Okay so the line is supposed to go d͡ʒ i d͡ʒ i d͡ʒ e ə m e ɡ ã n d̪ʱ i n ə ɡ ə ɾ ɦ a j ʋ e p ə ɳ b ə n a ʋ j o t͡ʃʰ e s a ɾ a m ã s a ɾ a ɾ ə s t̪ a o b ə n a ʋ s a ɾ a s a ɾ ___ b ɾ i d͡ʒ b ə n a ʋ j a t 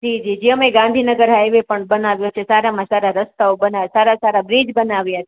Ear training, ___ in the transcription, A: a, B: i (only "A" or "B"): A